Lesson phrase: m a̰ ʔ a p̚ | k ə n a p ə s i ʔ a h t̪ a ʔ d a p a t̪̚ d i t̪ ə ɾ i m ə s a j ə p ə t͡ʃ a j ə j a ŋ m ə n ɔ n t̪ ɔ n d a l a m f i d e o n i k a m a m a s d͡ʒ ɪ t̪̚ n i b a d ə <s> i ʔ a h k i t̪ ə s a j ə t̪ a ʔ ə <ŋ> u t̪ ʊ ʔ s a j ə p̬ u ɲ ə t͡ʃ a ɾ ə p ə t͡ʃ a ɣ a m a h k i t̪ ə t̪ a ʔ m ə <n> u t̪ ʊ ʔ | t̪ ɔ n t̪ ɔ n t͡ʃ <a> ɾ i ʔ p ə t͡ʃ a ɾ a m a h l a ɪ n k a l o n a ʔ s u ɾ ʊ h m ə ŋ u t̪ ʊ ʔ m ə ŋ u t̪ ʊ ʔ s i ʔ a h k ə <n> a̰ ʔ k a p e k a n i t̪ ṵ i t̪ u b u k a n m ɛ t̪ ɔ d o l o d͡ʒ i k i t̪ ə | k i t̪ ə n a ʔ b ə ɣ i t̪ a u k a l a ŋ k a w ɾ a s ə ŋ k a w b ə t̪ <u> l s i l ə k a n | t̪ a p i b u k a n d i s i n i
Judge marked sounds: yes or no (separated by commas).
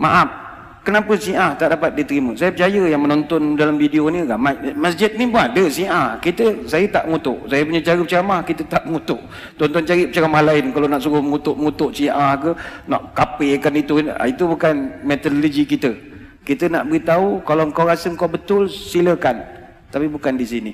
yes, yes, no, yes, yes, no